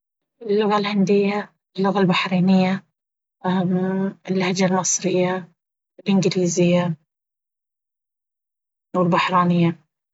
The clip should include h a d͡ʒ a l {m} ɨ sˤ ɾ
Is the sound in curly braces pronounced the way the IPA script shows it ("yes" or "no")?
yes